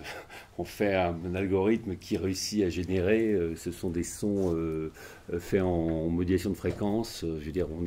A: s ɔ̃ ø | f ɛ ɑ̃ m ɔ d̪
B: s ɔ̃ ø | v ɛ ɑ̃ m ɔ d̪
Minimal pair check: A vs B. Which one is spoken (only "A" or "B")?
A